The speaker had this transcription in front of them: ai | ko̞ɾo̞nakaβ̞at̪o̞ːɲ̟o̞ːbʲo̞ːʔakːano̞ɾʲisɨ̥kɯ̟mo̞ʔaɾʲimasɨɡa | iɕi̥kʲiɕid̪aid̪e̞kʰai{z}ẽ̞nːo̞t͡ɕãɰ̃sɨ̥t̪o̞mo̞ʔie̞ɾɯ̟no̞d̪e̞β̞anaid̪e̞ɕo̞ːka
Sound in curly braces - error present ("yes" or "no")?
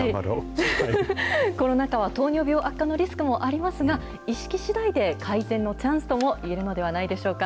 no